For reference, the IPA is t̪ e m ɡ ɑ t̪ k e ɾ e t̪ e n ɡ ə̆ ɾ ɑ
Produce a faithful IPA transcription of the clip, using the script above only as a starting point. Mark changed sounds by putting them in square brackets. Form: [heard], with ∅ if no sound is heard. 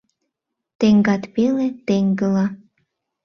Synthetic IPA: t̪ e [ŋ] ɡ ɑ t̪ [p] e [l] e t̪ e [ŋ] ɡ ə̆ [l] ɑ